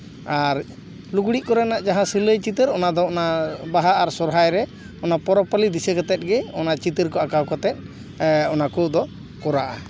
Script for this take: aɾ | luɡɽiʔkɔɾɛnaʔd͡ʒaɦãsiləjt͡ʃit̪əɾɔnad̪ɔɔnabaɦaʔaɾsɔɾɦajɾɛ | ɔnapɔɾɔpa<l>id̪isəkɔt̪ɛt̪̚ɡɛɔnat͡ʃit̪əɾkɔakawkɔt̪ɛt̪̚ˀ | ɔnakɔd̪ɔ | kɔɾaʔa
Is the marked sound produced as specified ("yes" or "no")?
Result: yes